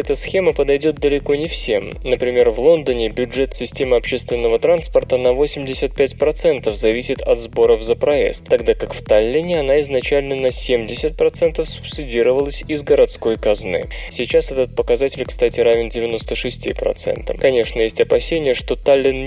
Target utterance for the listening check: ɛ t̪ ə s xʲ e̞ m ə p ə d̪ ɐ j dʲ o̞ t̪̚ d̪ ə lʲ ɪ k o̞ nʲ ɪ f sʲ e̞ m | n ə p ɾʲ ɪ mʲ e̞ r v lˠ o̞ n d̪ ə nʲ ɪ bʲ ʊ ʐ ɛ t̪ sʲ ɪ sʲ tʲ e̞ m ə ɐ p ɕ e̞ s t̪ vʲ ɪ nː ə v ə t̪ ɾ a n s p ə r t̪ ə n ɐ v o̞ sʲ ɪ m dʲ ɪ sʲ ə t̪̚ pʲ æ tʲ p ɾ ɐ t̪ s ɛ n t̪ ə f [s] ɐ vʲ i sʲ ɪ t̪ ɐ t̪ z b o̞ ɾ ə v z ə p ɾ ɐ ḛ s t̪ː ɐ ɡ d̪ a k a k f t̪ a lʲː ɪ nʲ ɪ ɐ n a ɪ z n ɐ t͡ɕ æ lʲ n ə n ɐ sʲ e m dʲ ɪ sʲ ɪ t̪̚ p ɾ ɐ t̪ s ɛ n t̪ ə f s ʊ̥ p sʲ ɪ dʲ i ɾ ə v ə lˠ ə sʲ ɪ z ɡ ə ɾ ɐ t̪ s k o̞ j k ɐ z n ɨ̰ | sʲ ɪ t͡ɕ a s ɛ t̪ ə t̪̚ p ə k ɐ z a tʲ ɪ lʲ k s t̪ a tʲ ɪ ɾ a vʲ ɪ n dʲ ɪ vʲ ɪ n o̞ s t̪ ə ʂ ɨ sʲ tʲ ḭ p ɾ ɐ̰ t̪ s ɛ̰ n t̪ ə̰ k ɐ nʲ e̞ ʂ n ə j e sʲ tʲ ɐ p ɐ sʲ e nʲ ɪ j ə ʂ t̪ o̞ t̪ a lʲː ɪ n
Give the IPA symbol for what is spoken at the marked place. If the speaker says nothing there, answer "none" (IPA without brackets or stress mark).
z